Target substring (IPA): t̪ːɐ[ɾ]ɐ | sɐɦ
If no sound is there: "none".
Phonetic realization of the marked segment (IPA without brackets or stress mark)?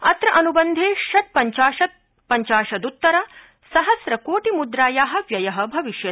ɾ